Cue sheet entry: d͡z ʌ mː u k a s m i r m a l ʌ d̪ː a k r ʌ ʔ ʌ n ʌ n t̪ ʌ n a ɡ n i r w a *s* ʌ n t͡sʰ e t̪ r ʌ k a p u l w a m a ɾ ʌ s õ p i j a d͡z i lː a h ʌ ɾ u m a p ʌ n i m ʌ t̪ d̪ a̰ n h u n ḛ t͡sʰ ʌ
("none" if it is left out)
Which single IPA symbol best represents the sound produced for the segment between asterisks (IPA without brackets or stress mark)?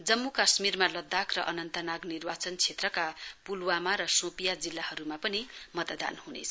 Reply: t͡s